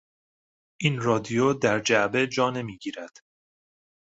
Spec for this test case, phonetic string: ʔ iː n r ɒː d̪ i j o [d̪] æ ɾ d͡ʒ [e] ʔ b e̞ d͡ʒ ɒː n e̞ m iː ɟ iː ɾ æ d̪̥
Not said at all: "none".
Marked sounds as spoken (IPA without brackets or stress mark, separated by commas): d̪, æ